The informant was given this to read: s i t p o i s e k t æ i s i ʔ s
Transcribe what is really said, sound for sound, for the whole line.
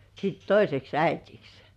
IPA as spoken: s i t t o i s e k s æ i t i k s